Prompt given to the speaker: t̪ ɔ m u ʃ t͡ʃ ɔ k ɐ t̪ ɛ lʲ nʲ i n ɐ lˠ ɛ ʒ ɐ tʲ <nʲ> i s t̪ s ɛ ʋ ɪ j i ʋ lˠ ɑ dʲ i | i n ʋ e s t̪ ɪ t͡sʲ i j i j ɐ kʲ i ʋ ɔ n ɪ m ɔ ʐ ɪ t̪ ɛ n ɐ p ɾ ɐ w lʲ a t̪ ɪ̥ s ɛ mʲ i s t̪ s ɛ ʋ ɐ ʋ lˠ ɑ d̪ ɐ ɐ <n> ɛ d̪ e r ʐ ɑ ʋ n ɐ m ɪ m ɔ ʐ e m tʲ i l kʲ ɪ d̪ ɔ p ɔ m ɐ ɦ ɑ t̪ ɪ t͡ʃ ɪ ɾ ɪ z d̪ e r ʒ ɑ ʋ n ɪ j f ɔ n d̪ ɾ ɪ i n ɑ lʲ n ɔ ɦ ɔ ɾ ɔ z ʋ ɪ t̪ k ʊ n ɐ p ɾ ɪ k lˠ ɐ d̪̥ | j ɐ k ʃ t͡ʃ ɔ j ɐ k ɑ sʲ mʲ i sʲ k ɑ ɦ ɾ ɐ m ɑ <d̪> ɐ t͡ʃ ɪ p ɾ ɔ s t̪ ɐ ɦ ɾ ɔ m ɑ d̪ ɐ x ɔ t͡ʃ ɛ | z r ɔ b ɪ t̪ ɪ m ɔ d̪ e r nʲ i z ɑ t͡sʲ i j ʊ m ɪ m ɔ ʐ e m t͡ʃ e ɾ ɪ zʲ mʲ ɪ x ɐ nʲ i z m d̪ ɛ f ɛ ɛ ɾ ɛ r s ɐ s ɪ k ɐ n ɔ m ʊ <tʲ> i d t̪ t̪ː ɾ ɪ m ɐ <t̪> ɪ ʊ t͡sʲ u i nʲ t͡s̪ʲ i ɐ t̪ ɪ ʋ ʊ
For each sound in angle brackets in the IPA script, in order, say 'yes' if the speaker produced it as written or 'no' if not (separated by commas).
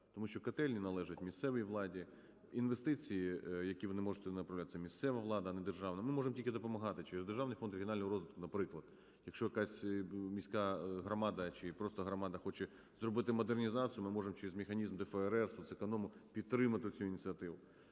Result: no, yes, yes, no, yes